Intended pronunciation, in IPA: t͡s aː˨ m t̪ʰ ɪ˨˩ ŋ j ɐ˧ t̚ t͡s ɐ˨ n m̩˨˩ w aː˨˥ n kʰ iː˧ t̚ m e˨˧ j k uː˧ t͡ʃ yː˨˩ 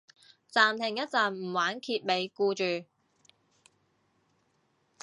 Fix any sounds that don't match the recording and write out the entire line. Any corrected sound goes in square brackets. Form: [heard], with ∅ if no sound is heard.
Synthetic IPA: t͡s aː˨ m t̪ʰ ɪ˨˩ ŋ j [ɐ˥] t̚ t͡s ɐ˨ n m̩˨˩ w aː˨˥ n kʰ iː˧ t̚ m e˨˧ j k uː˧ t͡ʃ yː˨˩